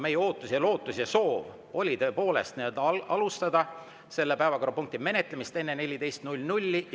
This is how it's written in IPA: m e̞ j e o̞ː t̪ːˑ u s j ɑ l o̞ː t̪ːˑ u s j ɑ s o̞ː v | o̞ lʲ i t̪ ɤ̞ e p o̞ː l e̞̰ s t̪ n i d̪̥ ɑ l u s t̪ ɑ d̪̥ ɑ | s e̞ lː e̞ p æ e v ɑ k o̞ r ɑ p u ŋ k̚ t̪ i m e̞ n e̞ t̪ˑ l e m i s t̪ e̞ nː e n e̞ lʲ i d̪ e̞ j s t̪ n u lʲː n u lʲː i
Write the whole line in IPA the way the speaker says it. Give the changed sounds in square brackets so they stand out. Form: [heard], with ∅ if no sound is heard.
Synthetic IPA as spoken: m e̞ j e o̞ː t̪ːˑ u s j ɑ l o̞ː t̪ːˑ u s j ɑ s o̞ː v | o̞ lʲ i t̪ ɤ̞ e p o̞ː l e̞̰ s t̪ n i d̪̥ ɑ l u s t̪ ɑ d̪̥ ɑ | s e̞ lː e̞ p æ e v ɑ k o̞ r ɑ p u ŋ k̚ t̪ i m e̞ n e̞ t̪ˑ l e m i s t̪ e̞ nː e n e̞ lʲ i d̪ e̞ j s t̪ n u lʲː n u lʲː i